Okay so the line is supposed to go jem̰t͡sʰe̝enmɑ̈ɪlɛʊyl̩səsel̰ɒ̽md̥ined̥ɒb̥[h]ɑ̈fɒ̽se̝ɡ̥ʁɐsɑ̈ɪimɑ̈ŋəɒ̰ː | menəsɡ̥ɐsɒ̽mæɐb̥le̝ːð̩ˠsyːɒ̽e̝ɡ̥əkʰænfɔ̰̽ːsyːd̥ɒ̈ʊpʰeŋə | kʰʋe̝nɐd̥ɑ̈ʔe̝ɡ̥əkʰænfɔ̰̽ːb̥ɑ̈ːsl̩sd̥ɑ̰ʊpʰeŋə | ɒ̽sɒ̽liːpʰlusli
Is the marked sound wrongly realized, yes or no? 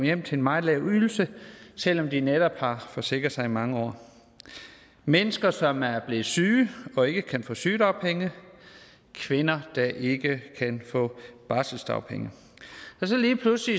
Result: no